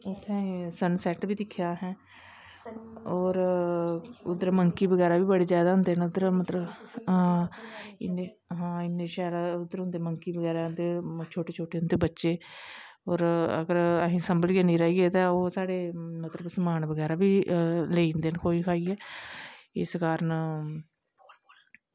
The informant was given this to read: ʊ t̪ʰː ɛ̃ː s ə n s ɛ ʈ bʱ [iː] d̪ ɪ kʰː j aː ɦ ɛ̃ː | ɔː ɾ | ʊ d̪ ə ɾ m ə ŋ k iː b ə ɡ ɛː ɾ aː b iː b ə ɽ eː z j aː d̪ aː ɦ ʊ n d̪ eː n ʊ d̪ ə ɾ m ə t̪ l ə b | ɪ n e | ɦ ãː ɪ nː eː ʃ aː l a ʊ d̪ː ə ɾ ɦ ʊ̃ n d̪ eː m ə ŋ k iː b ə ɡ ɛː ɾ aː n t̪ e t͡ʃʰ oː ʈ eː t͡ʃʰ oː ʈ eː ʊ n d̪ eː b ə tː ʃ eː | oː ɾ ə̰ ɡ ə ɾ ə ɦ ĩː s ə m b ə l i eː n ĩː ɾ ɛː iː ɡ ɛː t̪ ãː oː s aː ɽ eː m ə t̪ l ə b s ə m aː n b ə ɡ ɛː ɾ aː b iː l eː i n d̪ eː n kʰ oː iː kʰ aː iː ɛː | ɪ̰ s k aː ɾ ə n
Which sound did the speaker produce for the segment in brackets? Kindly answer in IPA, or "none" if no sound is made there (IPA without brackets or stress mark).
iː